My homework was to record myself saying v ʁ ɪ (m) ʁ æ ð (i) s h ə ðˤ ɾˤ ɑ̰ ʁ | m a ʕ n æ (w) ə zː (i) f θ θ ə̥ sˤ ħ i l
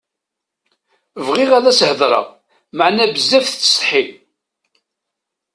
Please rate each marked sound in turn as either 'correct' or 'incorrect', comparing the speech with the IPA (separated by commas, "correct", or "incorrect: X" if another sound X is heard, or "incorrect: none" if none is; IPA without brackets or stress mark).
incorrect: none, incorrect: æ, incorrect: b, incorrect: æ